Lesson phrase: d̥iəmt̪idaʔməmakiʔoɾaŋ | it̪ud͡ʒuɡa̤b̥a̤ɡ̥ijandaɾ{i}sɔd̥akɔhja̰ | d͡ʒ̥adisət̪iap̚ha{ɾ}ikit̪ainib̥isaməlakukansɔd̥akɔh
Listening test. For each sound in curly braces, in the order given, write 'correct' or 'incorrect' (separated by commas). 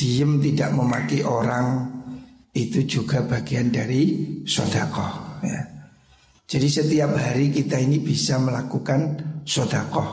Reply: correct, correct